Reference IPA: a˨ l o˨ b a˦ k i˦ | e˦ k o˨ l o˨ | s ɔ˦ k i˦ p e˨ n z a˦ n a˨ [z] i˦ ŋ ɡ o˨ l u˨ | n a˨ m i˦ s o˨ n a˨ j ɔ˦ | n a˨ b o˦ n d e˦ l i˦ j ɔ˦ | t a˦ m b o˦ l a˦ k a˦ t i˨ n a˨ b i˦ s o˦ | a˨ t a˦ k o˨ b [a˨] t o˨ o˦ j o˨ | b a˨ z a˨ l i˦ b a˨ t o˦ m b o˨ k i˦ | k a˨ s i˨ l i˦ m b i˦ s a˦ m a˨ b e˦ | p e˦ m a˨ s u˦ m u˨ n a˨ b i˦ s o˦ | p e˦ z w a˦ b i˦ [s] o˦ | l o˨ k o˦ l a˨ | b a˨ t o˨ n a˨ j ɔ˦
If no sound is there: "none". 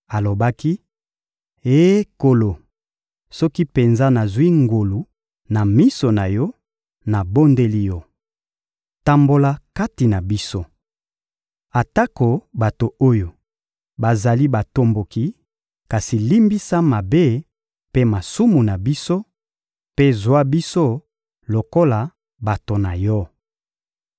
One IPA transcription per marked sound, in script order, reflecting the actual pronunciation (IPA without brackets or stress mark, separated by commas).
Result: z, a˨, s